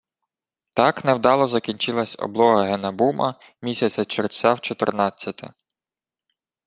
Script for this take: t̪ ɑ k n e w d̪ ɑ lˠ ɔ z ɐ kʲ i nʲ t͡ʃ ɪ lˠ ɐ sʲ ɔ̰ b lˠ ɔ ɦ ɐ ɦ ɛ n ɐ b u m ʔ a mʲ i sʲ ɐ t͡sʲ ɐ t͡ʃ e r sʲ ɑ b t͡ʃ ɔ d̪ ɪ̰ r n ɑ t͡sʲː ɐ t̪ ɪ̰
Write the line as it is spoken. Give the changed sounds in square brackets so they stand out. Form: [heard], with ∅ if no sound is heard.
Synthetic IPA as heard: t̪ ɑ k n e w d̪ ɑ lˠ ɔ z ɐ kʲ i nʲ t͡ʃ ɪ lˠ ɐ sʲ ɔ̰ b lˠ ɔ ɦ ɐ ɦ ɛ n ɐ b u m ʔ [ɐ] mʲ i sʲ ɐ t͡sʲ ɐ t͡ʃ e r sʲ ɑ [w] t͡ʃ ɔ [t̪] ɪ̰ r n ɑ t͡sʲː ɐ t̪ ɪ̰